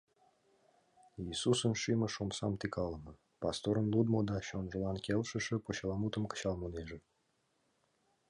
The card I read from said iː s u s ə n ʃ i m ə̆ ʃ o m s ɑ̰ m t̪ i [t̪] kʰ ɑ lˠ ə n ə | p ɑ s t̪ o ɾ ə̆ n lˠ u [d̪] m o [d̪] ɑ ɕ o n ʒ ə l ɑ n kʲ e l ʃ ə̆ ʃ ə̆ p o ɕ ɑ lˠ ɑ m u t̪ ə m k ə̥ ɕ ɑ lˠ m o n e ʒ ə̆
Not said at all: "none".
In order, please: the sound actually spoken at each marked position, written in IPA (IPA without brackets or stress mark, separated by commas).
none, d̪, d̪